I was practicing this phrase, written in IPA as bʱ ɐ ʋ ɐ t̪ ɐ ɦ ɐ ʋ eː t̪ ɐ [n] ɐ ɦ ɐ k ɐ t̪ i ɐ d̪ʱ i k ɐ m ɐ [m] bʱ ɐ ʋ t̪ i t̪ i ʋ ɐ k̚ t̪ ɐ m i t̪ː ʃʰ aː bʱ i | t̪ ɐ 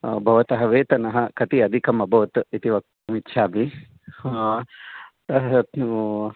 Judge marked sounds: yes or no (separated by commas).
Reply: yes, no